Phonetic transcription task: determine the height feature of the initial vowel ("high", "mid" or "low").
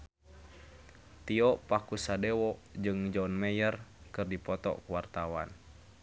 high